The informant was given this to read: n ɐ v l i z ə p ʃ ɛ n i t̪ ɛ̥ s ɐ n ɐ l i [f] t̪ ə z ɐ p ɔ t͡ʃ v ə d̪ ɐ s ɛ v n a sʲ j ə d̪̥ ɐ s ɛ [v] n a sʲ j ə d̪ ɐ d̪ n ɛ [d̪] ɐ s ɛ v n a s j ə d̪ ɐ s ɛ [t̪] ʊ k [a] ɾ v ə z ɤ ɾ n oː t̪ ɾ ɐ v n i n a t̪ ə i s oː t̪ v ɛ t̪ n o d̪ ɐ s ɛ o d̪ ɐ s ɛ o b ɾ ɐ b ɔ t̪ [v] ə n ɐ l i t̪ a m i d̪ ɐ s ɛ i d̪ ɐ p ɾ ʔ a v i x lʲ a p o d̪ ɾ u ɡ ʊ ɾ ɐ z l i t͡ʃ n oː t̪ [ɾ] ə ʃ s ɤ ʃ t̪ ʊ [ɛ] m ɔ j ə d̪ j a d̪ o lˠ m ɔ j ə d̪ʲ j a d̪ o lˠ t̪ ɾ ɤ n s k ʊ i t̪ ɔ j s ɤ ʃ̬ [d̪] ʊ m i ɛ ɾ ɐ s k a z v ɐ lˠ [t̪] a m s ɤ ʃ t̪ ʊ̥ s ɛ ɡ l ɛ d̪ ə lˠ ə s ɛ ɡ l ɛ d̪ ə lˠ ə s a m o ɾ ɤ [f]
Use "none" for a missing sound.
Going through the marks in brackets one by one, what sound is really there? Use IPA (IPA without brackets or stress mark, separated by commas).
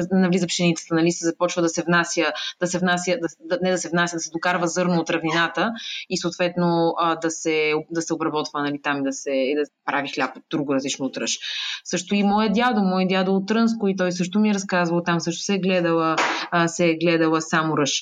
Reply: s, v, d̪, d̪, a, v, ɾ, i, t̪, t̪, ʃ